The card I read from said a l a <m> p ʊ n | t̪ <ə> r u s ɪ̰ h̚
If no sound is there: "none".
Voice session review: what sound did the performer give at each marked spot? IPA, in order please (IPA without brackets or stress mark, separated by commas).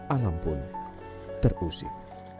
m, ə